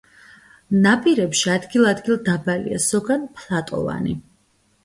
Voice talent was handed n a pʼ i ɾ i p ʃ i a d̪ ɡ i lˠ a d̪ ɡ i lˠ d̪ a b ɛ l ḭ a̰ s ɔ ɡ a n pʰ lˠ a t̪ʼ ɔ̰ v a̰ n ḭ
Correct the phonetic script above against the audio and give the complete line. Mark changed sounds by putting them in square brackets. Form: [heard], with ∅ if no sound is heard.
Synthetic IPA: n a pʼ i ɾ [ɛ] p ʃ i a d̪ ɡ i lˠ a d̪ ɡ i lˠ d̪ a b [a] l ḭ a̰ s ɔ ɡ a n pʰ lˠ a t̪ʼ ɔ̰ v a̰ n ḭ